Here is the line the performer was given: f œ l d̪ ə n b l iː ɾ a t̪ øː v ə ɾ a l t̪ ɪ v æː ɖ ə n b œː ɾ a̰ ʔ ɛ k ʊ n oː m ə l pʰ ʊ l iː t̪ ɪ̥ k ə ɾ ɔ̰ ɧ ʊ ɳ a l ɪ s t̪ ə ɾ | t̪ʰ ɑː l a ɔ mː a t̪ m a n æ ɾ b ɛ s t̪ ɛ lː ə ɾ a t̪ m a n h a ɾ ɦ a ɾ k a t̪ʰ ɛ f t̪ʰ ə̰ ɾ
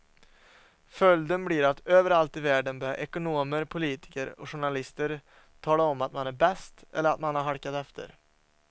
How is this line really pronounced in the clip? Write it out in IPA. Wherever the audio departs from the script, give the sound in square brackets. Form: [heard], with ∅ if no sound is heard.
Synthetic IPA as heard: f œ l d̪ ə n b l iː ɾ a t̪ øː v ə ɾ a l t̪ ɪ v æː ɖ ə n b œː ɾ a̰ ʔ ɛ k ʊ n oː m ə [ɾ] pʰ ʊ l iː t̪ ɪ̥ k ə ɾ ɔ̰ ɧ ʊ ɳ a l ɪ s t̪ ə ɾ | t̪ʰ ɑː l a ɔ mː a t̪ m a n æ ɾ b ɛ s t̪ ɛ lː ə ɾ a t̪ m a n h a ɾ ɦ a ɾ k a [t̪] ɛ f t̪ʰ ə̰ ɾ

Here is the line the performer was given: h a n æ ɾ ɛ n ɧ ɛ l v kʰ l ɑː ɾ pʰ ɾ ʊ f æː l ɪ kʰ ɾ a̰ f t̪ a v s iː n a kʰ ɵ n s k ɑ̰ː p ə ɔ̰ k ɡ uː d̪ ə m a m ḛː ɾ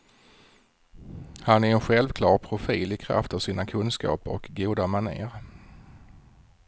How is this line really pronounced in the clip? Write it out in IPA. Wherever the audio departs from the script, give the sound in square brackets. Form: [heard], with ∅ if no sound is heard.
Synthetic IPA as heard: h a n æ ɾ ɛ n ɧ ɛ l v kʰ l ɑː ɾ pʰ ɾ ʊ f [iː] l ɪ kʰ ɾ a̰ f t̪ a v s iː n a kʰ ɵ n s k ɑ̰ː p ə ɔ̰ k ɡ uː d̪ [a] m a [n] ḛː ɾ

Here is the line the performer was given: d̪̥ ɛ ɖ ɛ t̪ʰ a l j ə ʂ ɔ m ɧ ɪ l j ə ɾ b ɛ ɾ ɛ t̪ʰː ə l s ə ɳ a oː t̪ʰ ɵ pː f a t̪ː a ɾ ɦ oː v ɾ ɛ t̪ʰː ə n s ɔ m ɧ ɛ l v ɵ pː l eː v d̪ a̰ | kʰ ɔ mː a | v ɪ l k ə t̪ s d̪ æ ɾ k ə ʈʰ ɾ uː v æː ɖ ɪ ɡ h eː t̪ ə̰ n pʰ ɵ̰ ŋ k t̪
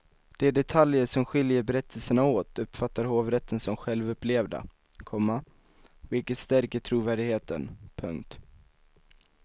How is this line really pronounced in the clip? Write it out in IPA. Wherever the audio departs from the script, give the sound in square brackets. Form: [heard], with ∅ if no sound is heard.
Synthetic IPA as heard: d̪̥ ɛ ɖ ɛ t̪ʰ a l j ə ʂ ɔ m ɧ ɪ l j ə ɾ b ɛ ɾ ɛ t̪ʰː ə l s ə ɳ a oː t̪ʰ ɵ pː f a t̪ː a ɾ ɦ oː v ɾ ɛ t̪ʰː ə n s ɔ m ɧ ɛ l v ɵ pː l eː v d̪ a̰ | kʰ ɔ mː a | v ɪ l k ə t̪ s [t̪] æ ɾ k ə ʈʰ ɾ uː v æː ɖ ɪ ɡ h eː t̪ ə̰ n pʰ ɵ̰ ŋ k t̪

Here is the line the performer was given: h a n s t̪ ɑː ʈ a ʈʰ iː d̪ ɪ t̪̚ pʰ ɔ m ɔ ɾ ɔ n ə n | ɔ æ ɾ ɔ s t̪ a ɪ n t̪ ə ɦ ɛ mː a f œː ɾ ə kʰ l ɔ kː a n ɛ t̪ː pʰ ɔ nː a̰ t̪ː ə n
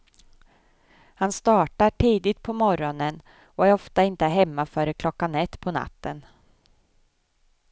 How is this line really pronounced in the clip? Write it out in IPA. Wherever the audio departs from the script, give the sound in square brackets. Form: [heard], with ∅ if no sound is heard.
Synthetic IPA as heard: h a n s t̪ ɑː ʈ a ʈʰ iː d̪ ɪ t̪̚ pʰ ɔ m ɔ ɾ ɔ n ə n | ɔ æ ɾ ɔ [f] t̪ a ɪ n t̪ ə ɦ ɛ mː a f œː ɾ ə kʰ l ɔ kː a n ɛ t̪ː pʰ ɔ [n] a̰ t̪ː ə n

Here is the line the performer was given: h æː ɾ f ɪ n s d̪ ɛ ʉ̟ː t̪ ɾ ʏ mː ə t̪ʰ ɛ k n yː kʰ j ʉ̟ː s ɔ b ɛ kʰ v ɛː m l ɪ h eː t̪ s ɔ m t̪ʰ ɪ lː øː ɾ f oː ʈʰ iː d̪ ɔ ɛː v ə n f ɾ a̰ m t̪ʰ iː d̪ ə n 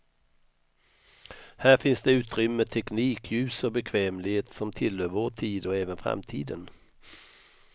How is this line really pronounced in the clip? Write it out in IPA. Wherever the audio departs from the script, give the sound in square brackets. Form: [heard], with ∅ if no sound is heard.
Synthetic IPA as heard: h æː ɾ f ɪ n s d̪ ɛ ʉ̟ː t̪ ɾ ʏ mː ə t̪ʰ ɛ k n [iː] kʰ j ʉ̟ː s ɔ b ɛ kʰ v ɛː m l ɪ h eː t̪ s ɔ m t̪ʰ ɪ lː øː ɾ [v] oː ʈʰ iː d̪ ɔ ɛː v ə n f ɾ a̰ m t̪ʰ iː d̪ ə n

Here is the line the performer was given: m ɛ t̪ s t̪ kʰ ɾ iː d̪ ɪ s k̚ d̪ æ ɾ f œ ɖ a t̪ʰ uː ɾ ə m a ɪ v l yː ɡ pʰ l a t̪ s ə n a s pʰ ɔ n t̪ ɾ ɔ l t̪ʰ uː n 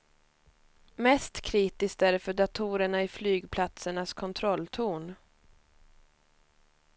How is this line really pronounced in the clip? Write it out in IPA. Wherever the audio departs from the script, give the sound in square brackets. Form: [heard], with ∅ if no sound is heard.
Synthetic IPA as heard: m ɛ [∅] s t̪ kʰ ɾ iː [t̪] ɪ s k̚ [t̪] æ ɾ f œ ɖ a t̪ʰ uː ɾ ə [ɳ] a ɪ [f] l yː ɡ pʰ l a t̪ s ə [ɳ] a s [kʰ] ɔ n [t̪ʰ] ɾ ɔ l t̪ʰ uː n

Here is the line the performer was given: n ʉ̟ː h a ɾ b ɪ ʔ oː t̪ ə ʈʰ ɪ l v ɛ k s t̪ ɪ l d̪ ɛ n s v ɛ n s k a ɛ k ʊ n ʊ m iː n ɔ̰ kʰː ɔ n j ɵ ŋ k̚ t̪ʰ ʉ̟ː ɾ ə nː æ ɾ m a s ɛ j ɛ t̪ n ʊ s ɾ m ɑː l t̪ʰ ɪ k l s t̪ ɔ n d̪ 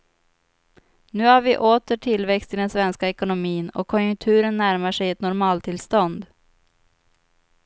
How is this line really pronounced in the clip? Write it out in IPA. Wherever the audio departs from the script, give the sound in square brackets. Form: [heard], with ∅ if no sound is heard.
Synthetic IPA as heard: n ʉ̟ː h a ɾ [v] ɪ ʔ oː t̪ ə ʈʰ ɪ l v ɛ k s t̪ ɪ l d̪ ɛ n s v ɛ n s k a ɛ k ʊ n ʊ m iː n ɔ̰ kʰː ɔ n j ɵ ŋ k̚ t̪ʰ ʉ̟ː ɾ ə nː æ ɾ m a [ʂ] ɛ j ɛ t̪ n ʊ [∅] ɾ m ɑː l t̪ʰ ɪ [∅] l s t̪ ɔ n d̪

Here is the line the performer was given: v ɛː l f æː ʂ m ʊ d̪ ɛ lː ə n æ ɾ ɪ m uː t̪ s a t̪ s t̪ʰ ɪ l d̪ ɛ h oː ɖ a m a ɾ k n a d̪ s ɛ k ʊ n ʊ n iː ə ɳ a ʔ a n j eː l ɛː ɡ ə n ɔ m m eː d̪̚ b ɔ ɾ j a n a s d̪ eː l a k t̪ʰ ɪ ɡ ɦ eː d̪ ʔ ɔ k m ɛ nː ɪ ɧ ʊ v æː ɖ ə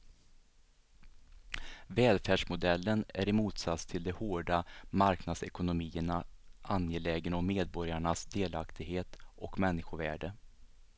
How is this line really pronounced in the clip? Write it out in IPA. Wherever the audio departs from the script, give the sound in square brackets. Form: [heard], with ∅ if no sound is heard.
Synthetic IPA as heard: v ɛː l f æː ʂ m ʊ d̪ ɛ lː ə n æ ɾ ɪ m uː t̪ s a t̪ s t̪ʰ ɪ l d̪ ɛ h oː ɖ a m a ɾ k n a d̪ s ɛ k ʊ n ʊ [m] iː ə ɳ a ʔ a n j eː l ɛː ɡ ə n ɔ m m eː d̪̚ b ɔ ɾ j a [ɳ] a s d̪ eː l a k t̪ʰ ɪ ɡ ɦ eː [t̪] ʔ ɔ k m ɛ nː ɪ ɧ ʊ v æː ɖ ə

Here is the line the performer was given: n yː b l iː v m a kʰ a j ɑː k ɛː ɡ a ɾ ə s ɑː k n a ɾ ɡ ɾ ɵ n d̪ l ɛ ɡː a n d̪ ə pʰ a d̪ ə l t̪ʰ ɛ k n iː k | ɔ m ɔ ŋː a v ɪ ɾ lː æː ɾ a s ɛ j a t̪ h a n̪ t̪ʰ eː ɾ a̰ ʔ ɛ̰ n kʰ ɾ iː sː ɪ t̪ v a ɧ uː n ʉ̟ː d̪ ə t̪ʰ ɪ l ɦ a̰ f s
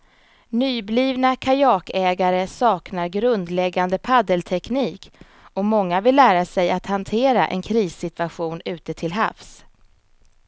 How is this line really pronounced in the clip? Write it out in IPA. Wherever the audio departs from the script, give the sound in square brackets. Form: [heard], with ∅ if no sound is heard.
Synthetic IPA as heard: n yː b l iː v [n] a kʰ a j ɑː k ɛː ɡ a ɾ ə s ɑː k n a ɾ ɡ ɾ ɵ n d̪ l ɛ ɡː a n d̪ ə pʰ a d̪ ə l t̪ʰ ɛ k n iː k | ɔ m ɔ ŋː a v ɪ [∅] lː æː ɾ a s ɛ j a t̪ h a n̪ t̪ʰ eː ɾ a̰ ʔ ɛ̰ n kʰ ɾ iː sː ɪ t̪ v a ɧ uː n ʉ̟ː [t̪] ə t̪ʰ ɪ l ɦ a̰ f s

